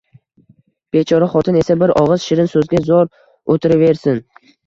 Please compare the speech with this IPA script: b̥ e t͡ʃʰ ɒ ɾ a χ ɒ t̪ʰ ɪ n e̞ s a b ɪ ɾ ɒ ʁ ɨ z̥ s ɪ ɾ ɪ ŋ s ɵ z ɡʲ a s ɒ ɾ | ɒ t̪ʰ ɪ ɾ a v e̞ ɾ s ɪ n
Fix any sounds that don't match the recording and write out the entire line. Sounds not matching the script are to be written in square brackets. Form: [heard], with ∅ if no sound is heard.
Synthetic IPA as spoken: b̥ e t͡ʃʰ ɒ ɾ a χ ɒ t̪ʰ ɪ n e̞ s a b ɪ ɾ ɒ ʁ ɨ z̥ [ʃ] ɪ ɾ ɪ [n] s ɵ z ɡʲ a [z] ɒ ɾ | [o] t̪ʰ ɪ ɾ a v e̞ ɾ s ɪ n